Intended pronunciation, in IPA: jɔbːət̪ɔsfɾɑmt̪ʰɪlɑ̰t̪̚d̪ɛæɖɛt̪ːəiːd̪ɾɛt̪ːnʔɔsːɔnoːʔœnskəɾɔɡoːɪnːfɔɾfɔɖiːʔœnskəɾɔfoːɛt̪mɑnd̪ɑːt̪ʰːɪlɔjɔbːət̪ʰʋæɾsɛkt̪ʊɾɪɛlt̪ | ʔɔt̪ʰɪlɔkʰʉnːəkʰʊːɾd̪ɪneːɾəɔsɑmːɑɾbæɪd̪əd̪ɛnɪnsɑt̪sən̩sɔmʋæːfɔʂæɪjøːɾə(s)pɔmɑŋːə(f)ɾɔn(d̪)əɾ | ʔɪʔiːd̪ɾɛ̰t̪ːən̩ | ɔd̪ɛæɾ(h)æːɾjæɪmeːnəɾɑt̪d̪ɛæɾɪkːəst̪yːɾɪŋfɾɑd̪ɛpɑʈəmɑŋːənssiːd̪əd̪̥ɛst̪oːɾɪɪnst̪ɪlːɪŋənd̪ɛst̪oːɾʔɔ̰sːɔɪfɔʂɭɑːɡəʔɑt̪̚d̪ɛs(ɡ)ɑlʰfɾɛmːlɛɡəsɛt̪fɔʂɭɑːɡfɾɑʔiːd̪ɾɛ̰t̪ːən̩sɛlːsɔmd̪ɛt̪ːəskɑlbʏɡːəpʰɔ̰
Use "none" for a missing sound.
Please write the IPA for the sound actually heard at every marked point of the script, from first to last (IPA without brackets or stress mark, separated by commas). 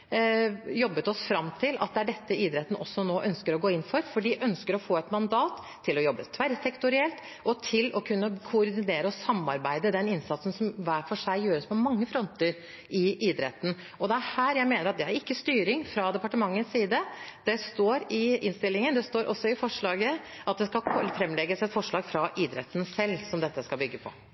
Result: s, f, t̪, h, k